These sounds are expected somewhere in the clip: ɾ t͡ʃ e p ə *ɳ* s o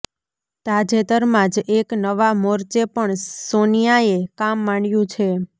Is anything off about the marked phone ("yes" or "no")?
no